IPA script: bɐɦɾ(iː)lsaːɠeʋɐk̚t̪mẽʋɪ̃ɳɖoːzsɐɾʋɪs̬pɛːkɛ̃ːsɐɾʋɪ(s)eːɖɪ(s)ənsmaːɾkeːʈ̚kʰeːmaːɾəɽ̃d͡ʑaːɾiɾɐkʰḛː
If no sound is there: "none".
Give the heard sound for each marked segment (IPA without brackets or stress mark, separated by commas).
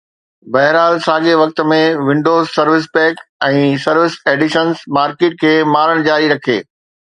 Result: aː, s, ʃ